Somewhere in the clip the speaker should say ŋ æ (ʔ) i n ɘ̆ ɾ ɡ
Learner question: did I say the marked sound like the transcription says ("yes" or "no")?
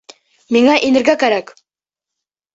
yes